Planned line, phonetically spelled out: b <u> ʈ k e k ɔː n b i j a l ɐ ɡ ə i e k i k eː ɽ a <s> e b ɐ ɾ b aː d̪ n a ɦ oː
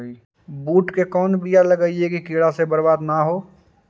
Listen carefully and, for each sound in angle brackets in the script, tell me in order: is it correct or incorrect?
incorrect: uː, correct

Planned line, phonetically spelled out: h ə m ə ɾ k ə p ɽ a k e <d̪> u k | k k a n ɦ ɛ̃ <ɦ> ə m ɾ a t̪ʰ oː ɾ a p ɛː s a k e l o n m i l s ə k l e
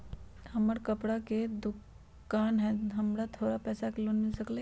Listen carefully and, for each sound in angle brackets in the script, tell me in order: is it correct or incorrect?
correct, correct

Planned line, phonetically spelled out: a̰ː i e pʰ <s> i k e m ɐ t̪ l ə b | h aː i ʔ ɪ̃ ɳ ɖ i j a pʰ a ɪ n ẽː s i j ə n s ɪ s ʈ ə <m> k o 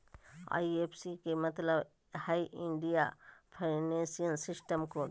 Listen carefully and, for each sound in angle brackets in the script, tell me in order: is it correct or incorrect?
correct, correct

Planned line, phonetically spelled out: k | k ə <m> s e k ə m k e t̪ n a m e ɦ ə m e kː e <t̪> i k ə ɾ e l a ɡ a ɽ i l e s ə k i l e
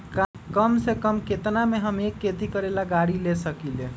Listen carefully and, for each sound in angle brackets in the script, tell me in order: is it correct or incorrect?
correct, correct

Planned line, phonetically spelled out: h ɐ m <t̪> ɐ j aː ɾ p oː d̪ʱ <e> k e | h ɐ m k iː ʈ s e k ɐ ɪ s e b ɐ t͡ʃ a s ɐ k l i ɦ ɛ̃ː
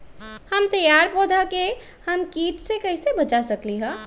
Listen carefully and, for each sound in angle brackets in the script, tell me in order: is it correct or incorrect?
correct, incorrect: a

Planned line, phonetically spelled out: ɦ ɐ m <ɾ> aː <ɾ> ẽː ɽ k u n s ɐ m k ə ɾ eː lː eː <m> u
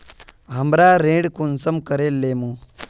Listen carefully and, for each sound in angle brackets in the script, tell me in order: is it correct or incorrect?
correct, correct, correct

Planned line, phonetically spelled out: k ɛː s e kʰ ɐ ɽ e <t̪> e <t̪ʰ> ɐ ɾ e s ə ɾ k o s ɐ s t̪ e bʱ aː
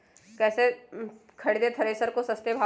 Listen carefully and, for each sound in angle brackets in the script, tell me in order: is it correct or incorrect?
incorrect: d̪, correct

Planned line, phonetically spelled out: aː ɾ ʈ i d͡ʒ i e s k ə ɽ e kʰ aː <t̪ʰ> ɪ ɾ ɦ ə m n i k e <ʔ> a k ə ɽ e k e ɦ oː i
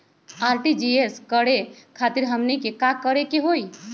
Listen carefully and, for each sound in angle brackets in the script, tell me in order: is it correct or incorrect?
incorrect: t̪, incorrect: k

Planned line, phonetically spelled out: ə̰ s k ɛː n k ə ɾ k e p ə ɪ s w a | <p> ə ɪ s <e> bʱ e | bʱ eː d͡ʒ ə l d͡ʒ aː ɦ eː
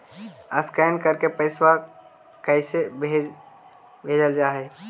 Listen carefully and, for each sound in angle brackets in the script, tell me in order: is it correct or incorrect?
incorrect: k, correct

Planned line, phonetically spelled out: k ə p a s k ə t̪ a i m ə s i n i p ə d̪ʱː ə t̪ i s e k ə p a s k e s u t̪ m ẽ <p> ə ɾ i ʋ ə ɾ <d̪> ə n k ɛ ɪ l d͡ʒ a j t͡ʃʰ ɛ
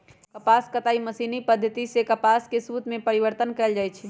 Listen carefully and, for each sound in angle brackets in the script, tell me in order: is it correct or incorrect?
correct, incorrect: t̪

